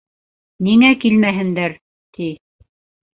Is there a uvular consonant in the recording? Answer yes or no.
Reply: no